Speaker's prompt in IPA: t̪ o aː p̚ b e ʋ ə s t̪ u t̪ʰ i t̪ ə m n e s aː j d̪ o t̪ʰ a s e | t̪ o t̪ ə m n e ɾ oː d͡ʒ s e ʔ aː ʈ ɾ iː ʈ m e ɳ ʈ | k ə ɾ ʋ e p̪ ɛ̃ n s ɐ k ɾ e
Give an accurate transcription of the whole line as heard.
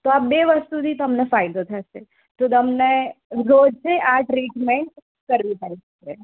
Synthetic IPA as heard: t̪ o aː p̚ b e ʋ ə s t̪ u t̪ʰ i t̪ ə m n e f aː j d̪ o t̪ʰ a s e | t̪ o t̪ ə m n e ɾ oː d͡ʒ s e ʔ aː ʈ ɾ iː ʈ m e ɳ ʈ | k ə ɾ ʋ i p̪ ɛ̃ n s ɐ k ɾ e